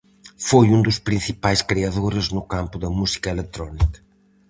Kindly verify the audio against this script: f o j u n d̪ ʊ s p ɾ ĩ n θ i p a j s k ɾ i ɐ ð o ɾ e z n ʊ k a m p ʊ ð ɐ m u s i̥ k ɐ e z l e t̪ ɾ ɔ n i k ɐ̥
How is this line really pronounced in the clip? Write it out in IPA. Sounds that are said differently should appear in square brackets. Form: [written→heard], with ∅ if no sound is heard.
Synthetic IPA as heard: f o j u n d̪ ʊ s p ɾ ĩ n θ i p a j s k ɾ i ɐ ð o ɾ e z n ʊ k a m p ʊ ð ɐ m u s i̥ k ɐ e [z→∅] l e t̪ ɾ ɔ n i k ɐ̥